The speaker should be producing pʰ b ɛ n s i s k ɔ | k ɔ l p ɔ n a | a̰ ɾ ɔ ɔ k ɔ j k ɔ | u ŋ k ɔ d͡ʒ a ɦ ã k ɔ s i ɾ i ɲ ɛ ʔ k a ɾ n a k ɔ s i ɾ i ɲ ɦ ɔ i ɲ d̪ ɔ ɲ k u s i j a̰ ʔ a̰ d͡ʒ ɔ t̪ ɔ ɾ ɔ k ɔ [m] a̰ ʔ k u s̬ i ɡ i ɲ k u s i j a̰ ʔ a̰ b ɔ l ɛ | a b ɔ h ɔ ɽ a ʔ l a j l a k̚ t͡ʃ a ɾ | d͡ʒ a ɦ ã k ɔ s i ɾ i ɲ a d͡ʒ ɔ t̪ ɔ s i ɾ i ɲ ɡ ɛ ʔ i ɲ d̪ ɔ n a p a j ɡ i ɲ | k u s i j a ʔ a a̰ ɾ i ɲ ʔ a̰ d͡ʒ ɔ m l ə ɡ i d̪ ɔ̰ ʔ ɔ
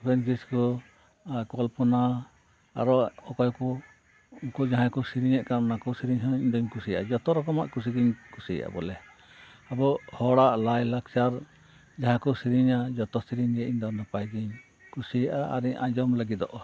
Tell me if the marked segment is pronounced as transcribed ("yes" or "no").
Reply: yes